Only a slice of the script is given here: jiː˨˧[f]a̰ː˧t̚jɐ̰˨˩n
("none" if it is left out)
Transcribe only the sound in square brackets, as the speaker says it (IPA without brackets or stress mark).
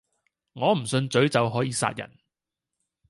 s